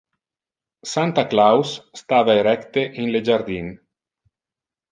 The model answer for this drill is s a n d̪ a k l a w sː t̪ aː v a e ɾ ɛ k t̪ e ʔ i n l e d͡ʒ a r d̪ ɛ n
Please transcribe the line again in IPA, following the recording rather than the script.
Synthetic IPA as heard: s a n t̪ a k l a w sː t̪ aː v a e ɾ ɛ k t̪ e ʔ i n l e d͡ʒ a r d̪ i n